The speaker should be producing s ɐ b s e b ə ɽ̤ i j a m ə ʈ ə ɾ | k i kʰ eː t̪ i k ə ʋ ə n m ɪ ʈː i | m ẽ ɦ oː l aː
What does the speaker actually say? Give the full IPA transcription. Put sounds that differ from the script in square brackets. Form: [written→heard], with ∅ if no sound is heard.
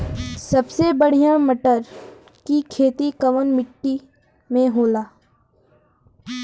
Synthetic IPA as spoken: s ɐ b s e b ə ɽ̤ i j a m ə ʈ ə ɾ | k i kʰ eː t̪ i k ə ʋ ə n m ɪ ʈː i | m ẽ ɦ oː l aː